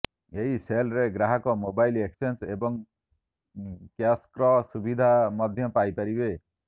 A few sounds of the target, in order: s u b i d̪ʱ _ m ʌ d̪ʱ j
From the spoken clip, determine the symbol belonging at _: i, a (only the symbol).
a